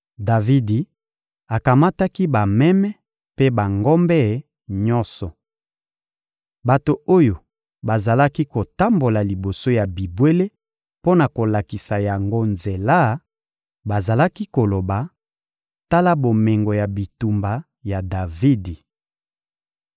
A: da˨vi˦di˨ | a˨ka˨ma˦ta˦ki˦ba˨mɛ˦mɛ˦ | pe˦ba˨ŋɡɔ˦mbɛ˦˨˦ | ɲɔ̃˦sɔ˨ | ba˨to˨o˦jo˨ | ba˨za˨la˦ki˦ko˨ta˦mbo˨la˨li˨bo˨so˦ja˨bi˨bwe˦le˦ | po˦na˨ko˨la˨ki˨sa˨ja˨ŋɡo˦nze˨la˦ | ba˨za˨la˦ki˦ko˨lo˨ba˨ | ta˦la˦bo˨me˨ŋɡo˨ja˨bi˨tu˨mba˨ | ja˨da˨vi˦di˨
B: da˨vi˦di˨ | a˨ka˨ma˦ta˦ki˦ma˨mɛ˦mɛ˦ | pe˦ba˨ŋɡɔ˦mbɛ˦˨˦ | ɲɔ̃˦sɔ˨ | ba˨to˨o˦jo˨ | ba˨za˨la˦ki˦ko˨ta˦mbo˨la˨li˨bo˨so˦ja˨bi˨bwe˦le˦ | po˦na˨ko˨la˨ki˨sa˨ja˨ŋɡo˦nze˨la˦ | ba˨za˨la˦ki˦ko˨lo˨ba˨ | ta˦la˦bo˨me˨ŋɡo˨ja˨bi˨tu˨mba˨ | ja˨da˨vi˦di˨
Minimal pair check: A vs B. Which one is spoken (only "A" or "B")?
A